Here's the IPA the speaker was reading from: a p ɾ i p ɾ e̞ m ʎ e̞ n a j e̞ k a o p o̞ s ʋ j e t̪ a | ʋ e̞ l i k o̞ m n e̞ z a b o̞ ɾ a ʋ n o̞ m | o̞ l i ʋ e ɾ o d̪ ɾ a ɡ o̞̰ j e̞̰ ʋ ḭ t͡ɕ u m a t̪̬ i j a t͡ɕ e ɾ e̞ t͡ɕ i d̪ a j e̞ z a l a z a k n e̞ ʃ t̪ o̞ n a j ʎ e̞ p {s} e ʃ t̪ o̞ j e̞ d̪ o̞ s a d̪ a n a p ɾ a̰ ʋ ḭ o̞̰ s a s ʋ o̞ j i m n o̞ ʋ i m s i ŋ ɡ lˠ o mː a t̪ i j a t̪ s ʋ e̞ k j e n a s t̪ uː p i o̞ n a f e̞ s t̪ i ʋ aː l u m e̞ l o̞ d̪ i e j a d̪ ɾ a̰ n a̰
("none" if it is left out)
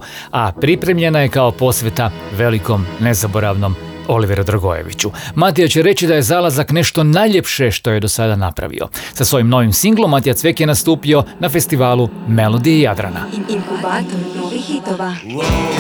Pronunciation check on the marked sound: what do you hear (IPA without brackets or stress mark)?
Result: ʃ